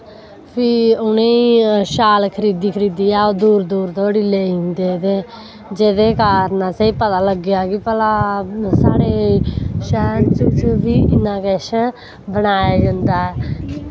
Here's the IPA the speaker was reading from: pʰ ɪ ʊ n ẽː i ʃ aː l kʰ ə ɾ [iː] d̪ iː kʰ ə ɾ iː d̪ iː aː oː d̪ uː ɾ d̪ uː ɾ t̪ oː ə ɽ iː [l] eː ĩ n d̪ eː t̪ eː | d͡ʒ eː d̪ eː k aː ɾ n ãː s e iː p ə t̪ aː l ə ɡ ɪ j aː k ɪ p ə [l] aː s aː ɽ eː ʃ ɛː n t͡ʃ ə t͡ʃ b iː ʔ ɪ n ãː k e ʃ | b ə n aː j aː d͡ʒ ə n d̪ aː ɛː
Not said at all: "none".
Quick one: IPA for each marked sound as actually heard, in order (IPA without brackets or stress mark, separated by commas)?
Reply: iː, l, l